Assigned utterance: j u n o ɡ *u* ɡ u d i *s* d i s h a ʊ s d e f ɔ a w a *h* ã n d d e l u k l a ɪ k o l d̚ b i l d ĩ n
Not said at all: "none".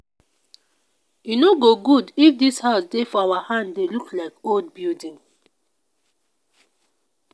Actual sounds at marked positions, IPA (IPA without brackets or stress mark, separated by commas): o, f, h